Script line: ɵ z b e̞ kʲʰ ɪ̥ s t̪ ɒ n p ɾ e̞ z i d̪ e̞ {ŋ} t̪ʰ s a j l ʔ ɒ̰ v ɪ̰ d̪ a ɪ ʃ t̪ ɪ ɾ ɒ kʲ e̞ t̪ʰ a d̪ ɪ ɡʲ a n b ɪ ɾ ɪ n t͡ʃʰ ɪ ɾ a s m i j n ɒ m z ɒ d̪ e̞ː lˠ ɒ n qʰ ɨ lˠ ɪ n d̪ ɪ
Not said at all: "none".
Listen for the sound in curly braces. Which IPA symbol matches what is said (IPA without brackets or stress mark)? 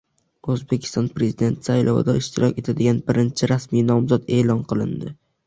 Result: n